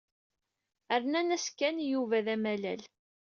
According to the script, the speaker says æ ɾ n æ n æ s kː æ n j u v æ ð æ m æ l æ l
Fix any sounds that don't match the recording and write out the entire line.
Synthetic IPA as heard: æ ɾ n æ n æ s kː æ n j u v æ ð æ m æ l æ l